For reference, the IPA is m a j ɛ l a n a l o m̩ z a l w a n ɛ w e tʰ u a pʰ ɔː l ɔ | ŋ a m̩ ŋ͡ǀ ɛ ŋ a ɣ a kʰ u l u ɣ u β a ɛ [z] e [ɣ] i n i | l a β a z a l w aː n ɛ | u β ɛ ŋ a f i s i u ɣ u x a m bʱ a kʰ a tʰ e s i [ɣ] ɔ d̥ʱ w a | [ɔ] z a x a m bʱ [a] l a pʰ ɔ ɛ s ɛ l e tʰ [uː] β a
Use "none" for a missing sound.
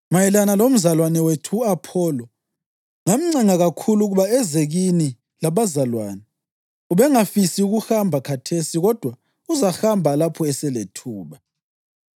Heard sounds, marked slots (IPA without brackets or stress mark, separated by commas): z, ɣ, ɣ, u, a, uː